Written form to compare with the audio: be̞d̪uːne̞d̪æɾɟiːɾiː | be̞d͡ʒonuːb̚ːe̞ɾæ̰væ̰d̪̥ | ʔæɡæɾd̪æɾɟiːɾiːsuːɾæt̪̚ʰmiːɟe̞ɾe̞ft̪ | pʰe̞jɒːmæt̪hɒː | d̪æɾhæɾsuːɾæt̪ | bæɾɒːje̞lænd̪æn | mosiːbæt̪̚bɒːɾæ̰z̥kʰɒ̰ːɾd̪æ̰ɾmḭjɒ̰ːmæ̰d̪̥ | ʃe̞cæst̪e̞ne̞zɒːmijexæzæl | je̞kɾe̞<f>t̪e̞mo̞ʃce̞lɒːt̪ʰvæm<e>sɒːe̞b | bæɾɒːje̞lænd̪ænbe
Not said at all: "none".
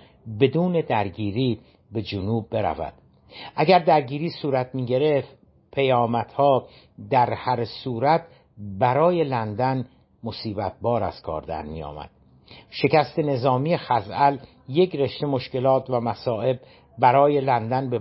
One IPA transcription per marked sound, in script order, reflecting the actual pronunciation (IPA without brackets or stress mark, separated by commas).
ʃ, æ